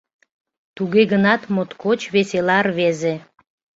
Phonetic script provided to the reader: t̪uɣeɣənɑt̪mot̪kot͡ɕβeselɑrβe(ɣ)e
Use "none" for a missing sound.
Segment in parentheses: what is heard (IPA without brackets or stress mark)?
z